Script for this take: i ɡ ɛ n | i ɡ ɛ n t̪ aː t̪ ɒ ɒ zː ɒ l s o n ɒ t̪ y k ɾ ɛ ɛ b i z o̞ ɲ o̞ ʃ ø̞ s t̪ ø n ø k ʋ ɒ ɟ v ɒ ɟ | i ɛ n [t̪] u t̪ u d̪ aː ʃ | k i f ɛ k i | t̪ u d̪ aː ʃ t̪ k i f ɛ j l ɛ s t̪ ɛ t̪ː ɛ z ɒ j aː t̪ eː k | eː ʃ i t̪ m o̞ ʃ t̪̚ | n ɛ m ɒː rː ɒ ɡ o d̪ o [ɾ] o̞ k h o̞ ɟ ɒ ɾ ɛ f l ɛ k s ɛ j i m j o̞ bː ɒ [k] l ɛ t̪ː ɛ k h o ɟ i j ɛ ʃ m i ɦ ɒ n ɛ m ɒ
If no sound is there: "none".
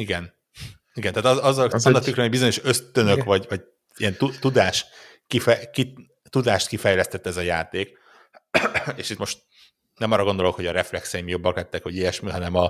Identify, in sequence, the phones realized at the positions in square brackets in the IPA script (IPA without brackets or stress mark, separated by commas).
t̪, l, k